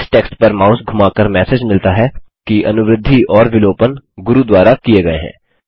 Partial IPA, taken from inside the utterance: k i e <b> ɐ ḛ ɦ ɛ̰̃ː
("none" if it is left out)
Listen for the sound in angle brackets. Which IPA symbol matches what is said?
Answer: ɡ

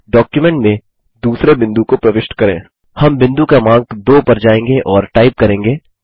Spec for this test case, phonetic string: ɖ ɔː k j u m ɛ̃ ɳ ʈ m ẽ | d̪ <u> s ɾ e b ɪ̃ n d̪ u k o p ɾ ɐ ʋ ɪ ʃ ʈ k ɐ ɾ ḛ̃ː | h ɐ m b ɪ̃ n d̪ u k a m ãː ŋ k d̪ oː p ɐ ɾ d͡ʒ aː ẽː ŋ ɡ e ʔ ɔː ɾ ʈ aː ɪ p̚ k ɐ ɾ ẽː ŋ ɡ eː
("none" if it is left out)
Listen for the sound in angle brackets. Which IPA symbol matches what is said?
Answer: uː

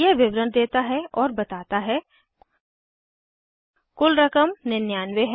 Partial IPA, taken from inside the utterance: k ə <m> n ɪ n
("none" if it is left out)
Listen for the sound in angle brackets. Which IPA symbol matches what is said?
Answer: m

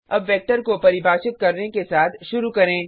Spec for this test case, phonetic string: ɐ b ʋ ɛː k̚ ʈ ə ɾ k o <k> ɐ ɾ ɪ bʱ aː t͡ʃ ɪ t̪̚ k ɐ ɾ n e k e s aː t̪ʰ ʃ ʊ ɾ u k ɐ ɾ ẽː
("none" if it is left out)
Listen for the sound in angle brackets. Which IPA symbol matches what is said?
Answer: p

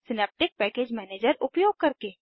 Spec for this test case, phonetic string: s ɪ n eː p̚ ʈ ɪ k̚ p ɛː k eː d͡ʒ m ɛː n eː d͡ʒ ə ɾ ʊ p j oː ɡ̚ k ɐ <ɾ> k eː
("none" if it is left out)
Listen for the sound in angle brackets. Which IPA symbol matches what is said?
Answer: ɾ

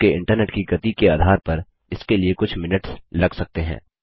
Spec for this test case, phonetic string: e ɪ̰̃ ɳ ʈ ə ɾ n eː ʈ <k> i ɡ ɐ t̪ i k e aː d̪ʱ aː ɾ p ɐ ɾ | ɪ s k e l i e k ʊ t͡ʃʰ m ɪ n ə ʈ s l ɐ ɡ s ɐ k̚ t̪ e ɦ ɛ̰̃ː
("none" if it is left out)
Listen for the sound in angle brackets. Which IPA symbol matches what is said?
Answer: k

